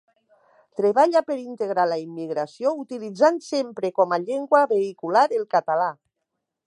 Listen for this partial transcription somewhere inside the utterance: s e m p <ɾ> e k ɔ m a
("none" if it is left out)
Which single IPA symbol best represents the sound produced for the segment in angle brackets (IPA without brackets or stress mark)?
ɾ